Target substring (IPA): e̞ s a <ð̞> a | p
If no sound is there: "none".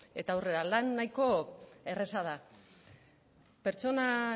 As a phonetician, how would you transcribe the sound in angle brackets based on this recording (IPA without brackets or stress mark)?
ð̞